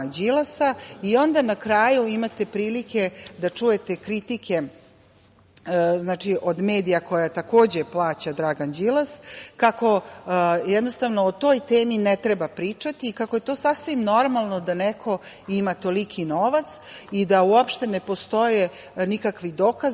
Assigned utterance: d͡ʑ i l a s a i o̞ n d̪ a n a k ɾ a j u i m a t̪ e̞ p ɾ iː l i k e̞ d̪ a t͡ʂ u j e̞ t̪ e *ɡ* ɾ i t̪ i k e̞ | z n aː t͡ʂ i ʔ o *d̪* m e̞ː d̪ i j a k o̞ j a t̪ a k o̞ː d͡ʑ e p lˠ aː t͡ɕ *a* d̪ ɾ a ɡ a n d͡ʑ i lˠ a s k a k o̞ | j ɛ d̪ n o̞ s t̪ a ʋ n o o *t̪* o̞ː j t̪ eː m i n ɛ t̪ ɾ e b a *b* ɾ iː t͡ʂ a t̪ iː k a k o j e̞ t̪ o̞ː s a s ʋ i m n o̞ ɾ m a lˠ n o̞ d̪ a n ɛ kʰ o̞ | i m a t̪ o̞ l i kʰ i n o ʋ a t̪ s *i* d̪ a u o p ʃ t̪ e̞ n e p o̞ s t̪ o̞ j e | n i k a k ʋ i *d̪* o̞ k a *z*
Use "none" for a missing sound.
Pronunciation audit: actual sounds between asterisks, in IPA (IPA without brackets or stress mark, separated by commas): k, d̪, a, t̪, p, i, d̪, z